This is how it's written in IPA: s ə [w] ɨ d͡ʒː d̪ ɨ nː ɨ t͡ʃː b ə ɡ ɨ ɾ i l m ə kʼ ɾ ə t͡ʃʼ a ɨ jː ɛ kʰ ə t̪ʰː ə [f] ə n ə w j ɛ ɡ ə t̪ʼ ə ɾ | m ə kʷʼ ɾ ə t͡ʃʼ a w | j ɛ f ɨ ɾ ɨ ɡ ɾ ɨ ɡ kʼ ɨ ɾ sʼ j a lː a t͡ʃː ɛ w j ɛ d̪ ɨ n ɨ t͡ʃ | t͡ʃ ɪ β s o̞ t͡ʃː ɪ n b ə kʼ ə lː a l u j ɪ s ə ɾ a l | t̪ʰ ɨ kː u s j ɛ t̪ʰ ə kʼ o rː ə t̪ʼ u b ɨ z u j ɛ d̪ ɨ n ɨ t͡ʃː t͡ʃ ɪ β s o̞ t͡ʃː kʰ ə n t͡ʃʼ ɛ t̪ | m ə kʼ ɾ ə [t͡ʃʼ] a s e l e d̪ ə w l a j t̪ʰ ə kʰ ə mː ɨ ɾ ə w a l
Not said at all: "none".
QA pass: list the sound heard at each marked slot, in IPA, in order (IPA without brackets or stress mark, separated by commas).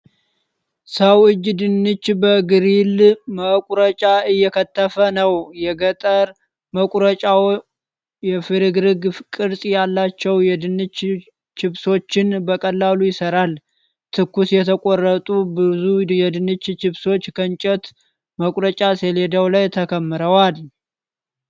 w, f, t͡ʃʼ